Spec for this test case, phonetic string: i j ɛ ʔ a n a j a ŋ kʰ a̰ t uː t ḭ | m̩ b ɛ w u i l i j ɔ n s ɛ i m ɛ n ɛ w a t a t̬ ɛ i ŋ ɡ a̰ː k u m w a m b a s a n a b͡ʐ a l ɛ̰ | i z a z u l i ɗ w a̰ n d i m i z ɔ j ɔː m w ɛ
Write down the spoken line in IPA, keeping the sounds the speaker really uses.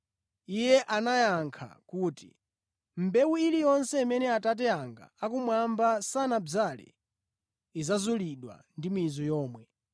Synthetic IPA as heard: i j ɛ ʔ a n a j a ŋ kʰ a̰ k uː t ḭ | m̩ b ɛ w u i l i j ɔ n s ɛ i m ɛ n ɛ a t a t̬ ɛ a ŋ ɡ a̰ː k u m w a m b a s a n a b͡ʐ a l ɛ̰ | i z a z u l i ɗ w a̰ n d i m i z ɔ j ɔː m w ɛ